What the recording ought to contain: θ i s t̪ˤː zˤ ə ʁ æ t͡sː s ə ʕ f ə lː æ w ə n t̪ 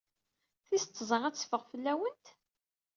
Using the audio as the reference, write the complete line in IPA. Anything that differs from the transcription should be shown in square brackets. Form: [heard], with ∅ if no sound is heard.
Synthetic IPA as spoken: θ i s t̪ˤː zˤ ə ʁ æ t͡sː [f] ə [ʁ] f ə lː æ w ə n t̪